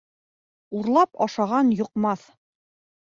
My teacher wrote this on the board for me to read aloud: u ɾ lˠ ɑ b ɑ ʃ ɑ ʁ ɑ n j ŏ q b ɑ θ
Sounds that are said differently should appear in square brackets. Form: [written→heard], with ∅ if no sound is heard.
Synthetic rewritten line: u ɾ lˠ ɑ [b→p] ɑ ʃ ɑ ʁ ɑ n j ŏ q [b→m] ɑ θ